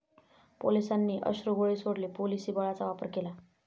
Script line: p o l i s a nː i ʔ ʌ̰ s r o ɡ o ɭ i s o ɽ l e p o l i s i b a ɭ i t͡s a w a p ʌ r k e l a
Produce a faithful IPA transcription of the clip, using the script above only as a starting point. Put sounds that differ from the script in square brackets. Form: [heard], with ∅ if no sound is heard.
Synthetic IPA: p o l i s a nː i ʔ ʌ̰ s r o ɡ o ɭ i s o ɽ l e p o l i s i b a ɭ [a] t͡s a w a p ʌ r k e l a